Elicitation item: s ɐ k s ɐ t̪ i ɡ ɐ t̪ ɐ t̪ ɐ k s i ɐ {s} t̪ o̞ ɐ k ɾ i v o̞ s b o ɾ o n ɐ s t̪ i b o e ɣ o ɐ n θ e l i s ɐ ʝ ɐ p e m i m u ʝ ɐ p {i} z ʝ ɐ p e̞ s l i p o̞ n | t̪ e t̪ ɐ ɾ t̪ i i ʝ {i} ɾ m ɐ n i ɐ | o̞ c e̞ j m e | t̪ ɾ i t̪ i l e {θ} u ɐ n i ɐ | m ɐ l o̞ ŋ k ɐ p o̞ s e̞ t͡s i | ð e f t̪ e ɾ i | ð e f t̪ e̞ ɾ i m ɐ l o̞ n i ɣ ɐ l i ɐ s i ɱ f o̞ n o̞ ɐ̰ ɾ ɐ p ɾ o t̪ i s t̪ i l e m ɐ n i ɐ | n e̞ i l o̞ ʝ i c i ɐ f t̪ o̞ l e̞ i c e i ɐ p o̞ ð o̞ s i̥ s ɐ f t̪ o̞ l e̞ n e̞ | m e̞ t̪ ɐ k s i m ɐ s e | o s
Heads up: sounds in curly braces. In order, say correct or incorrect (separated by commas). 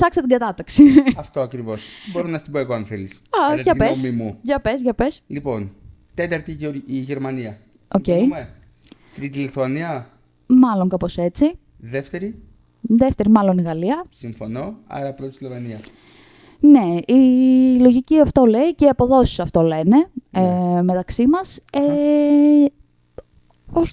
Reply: incorrect, incorrect, incorrect, correct